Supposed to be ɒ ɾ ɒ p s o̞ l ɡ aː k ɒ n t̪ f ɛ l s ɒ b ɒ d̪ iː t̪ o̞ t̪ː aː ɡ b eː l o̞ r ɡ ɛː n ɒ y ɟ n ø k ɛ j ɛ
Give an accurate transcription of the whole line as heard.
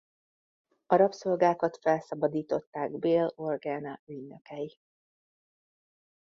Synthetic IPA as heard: ɒ ɾ ɒ p s o̞ l ɡ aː k ɒ t̪ f ɛ l s ɒ b ɒ d̪ iː t̪ o̞ t̪ː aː ɡ b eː l o̞ r ɡ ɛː n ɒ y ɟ n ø k ɛ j i